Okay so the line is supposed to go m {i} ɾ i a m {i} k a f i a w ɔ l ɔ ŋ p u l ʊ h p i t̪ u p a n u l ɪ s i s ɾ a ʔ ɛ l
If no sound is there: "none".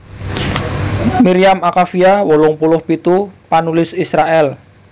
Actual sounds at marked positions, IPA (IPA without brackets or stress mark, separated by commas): i, a